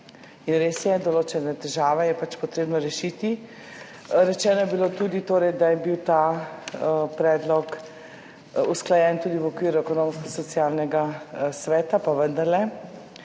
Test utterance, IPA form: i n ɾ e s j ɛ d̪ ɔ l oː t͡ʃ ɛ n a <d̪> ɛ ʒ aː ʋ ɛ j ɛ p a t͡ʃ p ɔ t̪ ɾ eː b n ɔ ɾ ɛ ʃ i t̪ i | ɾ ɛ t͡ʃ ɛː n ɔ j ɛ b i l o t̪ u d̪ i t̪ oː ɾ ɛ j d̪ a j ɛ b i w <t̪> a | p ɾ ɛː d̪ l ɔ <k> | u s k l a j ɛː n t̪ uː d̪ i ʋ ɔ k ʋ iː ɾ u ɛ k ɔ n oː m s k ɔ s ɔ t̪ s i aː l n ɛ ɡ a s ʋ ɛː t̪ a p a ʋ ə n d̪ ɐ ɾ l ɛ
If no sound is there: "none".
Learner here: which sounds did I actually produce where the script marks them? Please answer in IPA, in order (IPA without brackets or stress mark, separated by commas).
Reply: t̪, t̪, k